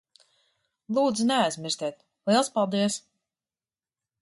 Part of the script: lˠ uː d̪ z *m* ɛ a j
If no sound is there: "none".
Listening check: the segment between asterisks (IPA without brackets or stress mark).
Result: n